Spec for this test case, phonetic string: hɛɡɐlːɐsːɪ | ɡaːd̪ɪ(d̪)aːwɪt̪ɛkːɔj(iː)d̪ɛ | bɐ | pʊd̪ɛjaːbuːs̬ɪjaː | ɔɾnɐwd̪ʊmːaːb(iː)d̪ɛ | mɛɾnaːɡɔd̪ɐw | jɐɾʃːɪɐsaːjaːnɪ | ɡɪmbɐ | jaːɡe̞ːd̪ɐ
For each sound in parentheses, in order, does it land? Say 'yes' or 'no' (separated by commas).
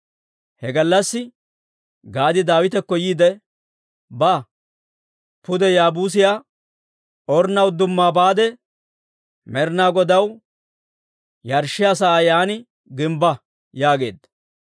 yes, yes, no